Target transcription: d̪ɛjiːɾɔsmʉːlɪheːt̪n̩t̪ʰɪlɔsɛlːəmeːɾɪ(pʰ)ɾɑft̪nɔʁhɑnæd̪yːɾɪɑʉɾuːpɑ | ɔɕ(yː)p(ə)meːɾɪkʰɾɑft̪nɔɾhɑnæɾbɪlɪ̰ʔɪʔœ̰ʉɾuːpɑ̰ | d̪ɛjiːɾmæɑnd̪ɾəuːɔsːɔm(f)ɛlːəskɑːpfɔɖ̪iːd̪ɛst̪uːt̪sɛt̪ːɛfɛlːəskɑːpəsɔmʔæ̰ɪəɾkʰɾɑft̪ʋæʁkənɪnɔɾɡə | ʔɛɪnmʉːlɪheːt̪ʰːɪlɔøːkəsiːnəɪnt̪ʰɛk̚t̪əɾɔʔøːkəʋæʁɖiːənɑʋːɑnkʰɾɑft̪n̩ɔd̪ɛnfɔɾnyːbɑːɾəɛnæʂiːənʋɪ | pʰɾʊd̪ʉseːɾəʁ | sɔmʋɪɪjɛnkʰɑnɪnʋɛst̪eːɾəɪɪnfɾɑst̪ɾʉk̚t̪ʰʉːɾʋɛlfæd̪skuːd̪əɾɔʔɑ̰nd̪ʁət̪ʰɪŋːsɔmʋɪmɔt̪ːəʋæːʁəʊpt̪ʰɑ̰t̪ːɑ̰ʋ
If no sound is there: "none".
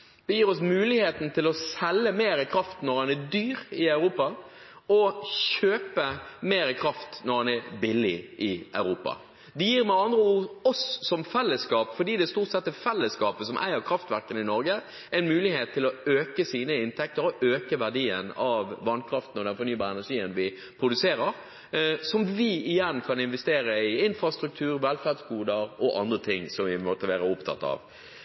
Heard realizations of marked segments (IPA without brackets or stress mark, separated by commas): kʰ, øː, ə, f